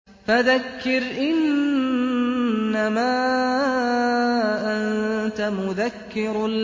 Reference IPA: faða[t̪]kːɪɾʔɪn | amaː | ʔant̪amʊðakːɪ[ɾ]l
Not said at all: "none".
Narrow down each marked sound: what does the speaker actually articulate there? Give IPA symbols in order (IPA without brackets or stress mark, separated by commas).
none, ɾ